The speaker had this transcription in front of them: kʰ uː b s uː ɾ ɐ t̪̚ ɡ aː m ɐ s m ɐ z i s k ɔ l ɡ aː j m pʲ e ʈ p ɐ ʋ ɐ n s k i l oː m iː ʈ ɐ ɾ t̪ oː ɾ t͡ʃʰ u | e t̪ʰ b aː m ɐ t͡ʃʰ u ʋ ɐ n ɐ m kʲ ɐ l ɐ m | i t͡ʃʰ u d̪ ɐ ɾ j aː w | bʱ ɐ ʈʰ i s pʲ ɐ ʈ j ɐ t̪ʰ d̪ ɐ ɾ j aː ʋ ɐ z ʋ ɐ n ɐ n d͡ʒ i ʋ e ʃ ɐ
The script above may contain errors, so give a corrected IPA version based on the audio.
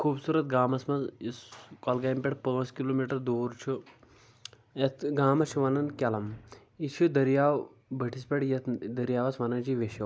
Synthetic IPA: kʰ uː b s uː ɾ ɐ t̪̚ ɡ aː m ɐ s m ɐ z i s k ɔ l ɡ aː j m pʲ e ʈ p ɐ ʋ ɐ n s k i l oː m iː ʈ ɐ ɾ d̪ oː ɾ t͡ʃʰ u | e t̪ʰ ɡ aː m ɐ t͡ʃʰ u ʋ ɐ n ɐ n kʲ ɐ l ɐ m | i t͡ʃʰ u d̪ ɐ ɾ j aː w | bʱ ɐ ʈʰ i s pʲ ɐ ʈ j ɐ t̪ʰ d̪ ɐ ɾ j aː ʋ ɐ s ʋ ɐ n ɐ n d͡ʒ i ʋ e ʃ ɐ